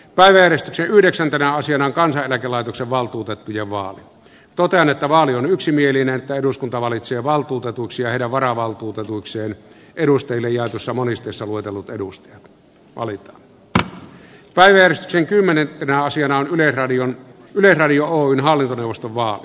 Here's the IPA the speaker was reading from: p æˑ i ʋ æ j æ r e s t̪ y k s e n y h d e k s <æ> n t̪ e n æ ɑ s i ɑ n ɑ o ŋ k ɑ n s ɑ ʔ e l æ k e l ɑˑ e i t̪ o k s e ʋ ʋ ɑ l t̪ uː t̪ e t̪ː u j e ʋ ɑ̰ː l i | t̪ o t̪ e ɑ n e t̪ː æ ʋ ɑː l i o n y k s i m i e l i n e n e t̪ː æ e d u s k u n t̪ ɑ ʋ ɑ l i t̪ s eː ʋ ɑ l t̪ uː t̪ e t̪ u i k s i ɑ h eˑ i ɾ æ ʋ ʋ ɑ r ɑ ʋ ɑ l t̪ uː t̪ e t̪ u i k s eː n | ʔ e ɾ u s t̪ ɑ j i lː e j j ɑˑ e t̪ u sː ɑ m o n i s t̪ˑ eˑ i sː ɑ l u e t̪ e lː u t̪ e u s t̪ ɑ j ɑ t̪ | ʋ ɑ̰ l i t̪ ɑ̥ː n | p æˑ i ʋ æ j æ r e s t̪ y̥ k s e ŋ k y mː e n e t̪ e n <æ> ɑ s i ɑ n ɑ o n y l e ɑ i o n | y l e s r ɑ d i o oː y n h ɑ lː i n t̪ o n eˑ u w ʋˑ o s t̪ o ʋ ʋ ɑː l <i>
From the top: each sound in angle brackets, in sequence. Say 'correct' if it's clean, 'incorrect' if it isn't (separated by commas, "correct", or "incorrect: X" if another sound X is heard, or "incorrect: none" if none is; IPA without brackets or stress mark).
correct, correct, correct